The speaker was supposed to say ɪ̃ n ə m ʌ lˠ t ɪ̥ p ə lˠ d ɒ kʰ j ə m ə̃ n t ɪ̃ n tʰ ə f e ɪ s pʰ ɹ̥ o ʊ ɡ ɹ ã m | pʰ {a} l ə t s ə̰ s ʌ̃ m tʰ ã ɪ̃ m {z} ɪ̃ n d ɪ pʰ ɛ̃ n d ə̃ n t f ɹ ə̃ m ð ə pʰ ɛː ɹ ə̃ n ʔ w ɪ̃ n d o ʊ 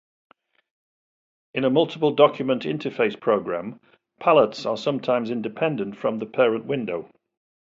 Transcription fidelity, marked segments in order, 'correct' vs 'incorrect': correct, correct

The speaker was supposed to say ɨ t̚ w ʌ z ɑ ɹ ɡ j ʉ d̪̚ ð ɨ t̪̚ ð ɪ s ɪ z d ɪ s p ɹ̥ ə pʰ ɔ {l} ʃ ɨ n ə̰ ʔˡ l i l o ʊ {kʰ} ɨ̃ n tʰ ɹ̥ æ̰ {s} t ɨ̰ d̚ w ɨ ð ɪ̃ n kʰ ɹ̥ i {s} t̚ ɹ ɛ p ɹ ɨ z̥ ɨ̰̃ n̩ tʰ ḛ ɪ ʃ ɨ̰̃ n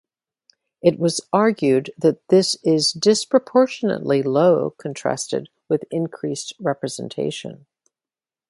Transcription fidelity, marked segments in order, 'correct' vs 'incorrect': incorrect: ɹ, correct, correct, correct

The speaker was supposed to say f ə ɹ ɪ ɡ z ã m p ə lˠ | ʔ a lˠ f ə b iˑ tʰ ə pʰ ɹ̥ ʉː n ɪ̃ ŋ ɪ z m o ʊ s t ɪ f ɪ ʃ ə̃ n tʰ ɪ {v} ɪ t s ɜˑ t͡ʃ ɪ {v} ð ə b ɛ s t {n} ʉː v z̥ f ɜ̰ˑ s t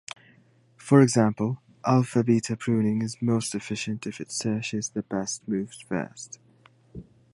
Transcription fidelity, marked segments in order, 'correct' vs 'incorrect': incorrect: f, incorrect: z, incorrect: m

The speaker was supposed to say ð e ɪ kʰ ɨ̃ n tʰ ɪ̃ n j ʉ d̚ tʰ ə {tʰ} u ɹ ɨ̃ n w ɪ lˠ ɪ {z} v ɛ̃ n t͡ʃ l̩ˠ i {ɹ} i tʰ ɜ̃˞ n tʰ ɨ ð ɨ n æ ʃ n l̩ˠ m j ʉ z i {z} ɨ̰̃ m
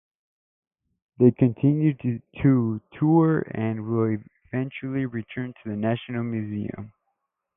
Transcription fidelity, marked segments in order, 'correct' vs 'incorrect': correct, incorrect: none, correct, incorrect: none

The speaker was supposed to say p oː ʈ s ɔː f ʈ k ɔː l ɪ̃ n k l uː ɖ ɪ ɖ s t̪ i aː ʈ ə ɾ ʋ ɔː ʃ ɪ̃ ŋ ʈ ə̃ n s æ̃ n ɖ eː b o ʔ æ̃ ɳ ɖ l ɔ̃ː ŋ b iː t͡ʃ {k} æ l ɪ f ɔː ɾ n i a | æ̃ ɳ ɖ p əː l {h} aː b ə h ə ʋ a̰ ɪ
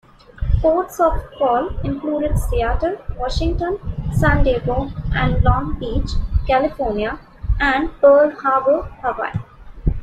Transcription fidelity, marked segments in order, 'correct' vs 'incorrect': correct, correct

